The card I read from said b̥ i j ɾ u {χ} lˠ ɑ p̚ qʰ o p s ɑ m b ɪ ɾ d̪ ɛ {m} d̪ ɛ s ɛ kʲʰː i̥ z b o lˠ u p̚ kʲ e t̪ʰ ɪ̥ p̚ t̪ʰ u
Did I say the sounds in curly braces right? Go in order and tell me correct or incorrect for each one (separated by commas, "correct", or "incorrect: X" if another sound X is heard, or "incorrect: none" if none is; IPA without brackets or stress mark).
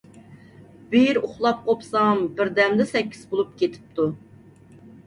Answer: correct, correct